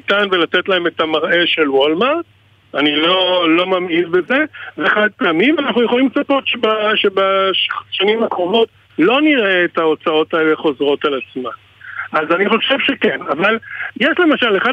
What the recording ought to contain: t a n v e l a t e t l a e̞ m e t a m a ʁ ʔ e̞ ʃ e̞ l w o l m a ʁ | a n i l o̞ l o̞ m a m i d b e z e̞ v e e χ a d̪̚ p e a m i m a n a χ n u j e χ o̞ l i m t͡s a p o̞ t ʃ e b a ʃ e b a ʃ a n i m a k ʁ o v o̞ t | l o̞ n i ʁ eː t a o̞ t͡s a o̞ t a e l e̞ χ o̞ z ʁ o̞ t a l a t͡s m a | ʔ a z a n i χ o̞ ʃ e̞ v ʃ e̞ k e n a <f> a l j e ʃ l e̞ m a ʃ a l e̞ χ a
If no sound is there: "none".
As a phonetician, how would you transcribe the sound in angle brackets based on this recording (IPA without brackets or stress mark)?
v